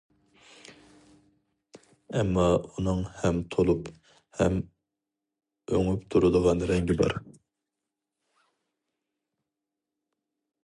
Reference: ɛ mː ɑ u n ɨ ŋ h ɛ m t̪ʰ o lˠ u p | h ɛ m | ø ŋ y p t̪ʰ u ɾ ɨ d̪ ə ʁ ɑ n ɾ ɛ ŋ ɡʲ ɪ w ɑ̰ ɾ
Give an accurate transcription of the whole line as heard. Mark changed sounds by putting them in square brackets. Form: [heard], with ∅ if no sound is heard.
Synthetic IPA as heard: ɛ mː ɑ u n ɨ ŋ h ɛ m t̪ʰ o lˠ u p | h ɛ m | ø ŋ y p t̪ʰ u ɾ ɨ d̪ ə ʁ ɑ n ɾ ɛ ŋ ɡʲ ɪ [b] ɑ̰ ɾ